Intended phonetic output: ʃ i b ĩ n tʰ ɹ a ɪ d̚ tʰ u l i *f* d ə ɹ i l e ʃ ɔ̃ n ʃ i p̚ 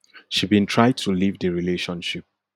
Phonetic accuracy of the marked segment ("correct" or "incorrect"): incorrect